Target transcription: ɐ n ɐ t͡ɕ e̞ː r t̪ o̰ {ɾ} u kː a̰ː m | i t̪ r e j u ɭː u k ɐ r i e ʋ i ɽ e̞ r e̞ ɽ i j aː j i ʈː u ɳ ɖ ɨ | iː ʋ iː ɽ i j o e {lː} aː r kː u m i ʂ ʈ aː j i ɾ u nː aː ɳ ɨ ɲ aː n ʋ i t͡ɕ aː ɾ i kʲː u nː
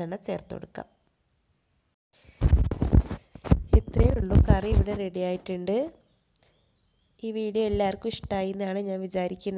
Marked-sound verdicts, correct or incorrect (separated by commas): incorrect, correct